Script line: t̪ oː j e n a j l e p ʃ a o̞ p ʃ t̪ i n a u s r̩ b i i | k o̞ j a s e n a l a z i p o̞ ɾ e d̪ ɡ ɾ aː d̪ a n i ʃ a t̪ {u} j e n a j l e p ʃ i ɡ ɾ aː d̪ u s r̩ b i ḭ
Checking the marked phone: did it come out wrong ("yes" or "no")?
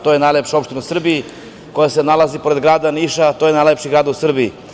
yes